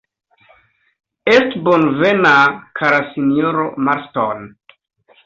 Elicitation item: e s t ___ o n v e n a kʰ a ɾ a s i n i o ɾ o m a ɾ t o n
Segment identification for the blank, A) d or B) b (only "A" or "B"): B